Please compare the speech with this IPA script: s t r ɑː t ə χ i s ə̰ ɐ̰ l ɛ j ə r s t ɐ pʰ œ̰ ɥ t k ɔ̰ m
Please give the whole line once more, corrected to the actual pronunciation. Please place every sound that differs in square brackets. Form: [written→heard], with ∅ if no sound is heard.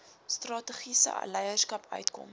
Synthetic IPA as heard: s t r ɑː t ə χ i s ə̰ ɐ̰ l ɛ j ə r s [t→k] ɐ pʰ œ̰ ɥ t k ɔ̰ m